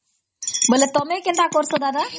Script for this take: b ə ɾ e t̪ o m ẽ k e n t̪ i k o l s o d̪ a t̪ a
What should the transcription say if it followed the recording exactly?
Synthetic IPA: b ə l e t̪ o m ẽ k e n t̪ a k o ɾ s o d̪ a d̪ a